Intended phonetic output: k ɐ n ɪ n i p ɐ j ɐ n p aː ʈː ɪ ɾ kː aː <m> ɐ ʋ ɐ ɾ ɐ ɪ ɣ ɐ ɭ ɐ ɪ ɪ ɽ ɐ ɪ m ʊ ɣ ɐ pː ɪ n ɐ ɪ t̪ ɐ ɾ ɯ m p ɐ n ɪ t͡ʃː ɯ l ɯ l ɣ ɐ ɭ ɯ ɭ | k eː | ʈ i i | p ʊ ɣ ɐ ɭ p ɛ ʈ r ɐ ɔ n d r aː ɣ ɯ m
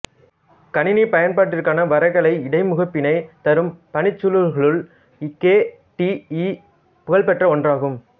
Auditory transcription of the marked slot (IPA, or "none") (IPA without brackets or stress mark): n